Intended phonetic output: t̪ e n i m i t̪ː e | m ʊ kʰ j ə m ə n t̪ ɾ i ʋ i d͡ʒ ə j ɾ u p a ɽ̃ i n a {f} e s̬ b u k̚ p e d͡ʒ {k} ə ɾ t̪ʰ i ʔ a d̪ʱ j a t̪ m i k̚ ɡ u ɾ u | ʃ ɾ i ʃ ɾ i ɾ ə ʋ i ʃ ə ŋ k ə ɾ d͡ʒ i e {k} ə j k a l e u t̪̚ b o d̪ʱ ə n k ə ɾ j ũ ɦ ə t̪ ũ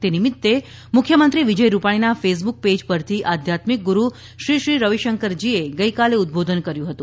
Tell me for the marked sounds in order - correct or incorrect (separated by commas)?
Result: correct, incorrect, incorrect